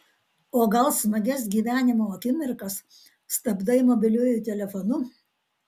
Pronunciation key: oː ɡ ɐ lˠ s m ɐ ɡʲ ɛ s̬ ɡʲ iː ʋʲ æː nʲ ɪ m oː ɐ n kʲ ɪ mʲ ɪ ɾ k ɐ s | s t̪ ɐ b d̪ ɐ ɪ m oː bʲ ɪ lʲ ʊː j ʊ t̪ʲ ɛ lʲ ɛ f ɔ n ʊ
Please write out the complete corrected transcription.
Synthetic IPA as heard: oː ɡ ɐ lˠ s m ɐ ɡʲ ɛ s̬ ɡʲ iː ʋʲ æː nʲ ɪ m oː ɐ kʲ ɪ mʲ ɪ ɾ k ɐ s | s t̪ ɐ b d̪ ɐ ɪ m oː bʲ ɪ lʲ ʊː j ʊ t̪ʲ ɛ lʲ ɛ f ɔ n ʊ